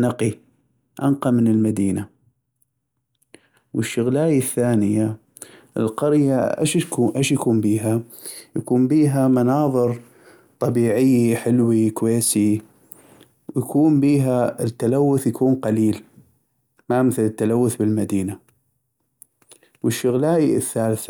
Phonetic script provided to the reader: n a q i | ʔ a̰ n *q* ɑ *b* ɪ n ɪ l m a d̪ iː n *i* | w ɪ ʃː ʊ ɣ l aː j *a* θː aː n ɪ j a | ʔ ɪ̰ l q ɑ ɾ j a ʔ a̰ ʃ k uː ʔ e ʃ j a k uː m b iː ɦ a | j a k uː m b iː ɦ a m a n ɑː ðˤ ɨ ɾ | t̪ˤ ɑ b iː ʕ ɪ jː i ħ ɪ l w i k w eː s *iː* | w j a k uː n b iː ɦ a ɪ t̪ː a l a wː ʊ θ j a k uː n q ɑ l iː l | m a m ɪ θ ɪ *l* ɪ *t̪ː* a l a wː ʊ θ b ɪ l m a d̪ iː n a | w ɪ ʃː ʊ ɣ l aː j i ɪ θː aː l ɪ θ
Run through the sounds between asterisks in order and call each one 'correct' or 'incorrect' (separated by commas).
correct, incorrect, incorrect, correct, incorrect, correct, correct